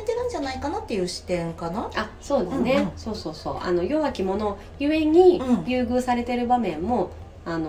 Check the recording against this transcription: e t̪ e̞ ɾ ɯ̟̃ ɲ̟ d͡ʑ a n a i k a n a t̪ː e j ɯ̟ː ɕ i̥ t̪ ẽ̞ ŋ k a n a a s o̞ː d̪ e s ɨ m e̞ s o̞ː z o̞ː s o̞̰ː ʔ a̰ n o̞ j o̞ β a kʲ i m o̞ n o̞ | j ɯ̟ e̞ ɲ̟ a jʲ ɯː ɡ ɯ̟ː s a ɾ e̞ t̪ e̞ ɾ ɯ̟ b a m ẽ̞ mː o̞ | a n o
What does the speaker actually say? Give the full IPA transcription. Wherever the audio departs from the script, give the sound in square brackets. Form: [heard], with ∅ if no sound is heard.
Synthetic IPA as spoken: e t̪ e̞ ɾ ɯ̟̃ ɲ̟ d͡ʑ a n a i k a n a t̪ː e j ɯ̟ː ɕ i̥ t̪ ẽ̞ ŋ k a n a a s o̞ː d̪ e s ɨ [n] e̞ s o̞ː [s] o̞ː s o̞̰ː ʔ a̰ n o̞ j o̞ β a kʲ i m o̞ n o̞ | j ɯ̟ e̞ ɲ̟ [i] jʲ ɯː ɡ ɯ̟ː s a ɾ e̞ t̪ e̞ ɾ ɯ̟ b a m ẽ̞ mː o̞ | a n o